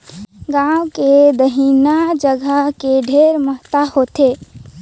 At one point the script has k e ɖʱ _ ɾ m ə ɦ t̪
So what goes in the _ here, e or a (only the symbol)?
e